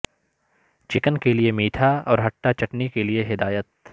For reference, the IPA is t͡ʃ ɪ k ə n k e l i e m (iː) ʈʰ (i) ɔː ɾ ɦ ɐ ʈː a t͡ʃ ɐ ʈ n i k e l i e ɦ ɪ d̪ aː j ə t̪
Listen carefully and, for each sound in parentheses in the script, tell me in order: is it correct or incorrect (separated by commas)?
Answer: correct, incorrect